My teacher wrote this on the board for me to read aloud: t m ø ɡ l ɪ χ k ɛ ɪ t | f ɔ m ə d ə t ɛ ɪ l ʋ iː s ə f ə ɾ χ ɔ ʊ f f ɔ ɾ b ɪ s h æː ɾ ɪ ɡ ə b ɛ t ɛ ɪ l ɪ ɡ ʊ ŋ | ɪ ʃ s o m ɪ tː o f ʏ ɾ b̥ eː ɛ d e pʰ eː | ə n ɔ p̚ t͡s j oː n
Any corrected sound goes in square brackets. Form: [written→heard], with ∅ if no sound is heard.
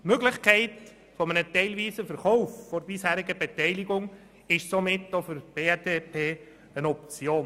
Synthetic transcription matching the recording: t m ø ɡ l ɪ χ k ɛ ɪ t | f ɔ m ə [d→n] ə t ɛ ɪ l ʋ iː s ə f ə ɾ χ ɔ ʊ f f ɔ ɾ b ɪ s h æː ɾ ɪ ɡ ə b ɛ t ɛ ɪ l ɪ ɡ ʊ ŋ | ɪ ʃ s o m ɪ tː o f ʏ ɾ b̥ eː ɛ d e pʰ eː | ə n ɔ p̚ t͡s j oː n